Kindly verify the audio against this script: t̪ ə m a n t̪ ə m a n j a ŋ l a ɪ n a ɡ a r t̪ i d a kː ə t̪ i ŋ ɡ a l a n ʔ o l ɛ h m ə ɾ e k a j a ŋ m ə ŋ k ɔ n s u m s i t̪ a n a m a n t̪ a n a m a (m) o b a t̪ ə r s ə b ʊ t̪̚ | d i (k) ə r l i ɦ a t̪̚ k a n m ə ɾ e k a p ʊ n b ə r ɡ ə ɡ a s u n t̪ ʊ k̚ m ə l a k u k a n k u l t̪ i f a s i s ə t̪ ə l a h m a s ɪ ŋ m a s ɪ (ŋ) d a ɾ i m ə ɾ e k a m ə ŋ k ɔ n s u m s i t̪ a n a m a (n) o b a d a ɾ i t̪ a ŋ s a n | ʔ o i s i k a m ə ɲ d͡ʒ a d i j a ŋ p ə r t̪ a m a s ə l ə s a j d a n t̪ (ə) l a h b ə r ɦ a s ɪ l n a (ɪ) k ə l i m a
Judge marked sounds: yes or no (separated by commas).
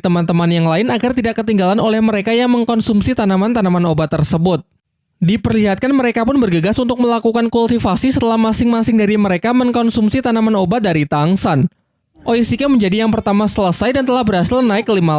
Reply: no, no, yes, yes, yes, yes